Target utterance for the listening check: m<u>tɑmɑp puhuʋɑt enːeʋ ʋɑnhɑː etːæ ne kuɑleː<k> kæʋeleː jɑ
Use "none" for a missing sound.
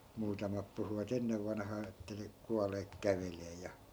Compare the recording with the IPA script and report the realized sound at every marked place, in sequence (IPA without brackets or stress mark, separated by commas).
uː, k